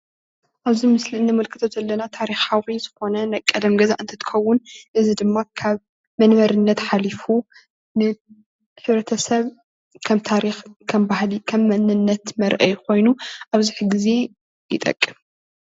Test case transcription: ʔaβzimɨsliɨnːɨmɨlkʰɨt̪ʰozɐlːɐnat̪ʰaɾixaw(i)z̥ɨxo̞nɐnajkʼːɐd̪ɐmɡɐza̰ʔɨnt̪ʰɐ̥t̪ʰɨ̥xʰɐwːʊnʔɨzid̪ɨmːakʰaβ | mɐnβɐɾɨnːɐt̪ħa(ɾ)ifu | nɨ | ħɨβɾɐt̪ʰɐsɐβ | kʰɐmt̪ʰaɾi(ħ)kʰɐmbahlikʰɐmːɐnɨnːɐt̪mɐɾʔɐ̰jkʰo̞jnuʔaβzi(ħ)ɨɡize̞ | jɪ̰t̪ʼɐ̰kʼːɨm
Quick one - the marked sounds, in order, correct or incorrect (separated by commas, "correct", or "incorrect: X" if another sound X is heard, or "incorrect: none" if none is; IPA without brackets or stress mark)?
correct, incorrect: l, incorrect: x, correct